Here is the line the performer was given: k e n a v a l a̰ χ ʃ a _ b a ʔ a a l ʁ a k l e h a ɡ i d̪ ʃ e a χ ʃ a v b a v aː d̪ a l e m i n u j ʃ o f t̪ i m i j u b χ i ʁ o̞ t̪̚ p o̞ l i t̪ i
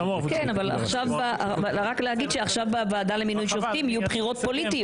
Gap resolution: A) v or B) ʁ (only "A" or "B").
A